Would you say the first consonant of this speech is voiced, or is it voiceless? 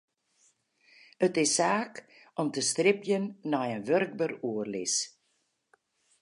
voiceless